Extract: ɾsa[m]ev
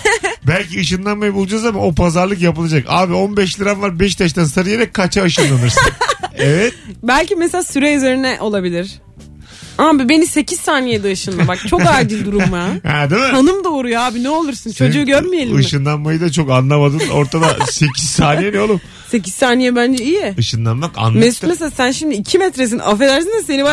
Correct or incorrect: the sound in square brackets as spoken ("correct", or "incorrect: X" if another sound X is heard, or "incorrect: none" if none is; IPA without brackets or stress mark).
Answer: incorrect: n